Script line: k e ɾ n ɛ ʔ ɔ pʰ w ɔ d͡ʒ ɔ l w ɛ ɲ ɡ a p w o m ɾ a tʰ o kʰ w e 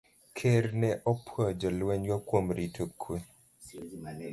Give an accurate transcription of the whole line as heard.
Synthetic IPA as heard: kʰ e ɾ n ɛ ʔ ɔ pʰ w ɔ d͡ʒ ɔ l w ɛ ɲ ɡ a k w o m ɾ i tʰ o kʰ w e